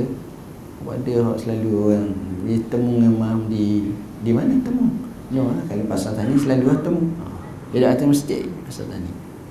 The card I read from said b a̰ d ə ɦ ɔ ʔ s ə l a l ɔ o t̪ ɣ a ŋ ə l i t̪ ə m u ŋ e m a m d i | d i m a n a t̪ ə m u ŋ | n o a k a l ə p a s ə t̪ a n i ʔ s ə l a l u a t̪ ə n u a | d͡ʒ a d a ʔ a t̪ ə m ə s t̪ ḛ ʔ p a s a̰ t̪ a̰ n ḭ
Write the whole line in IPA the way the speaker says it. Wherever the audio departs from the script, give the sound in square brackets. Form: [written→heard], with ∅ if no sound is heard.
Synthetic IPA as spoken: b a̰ d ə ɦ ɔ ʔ s ə l a l [ɔ→u] o [t̪→∅] ɣ a ŋ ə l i t̪ ə m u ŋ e m a m d i | d i m a n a t̪ ə m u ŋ | n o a k a l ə p a s [ə→a] t̪ a n i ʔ s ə l a l u a t̪ ə [n→m] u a | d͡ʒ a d a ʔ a t̪ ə m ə s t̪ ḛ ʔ p a s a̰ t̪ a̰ n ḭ